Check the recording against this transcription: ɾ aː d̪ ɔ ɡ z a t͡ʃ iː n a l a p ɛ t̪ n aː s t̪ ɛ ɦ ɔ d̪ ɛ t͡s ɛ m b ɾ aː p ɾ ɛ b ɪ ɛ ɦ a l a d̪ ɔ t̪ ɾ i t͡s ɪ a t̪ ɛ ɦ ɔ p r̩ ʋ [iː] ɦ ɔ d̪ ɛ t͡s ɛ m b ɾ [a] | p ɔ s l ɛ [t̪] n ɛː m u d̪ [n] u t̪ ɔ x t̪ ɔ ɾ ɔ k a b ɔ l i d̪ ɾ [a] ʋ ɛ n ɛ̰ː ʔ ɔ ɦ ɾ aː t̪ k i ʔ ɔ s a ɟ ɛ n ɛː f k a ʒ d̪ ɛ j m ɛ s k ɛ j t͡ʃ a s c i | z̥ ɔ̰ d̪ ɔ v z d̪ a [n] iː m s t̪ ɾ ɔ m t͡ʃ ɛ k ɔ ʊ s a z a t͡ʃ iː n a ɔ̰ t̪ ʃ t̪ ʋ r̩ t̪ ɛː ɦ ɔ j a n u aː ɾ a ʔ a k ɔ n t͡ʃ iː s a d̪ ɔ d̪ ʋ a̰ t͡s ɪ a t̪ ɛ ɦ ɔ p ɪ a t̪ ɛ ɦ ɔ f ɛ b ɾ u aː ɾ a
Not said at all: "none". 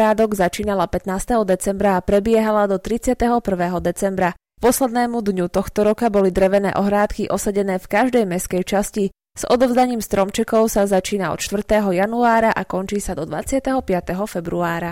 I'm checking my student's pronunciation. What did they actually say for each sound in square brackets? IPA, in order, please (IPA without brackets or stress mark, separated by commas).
ɛː, a, d̪, ɲ, ɛ, ɲ